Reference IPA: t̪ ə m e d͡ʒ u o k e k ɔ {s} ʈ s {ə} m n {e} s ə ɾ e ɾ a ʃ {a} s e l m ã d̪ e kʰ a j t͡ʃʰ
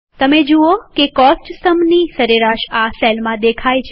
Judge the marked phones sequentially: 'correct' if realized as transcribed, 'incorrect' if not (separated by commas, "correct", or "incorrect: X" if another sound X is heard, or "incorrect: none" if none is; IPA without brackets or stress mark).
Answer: correct, correct, incorrect: i, correct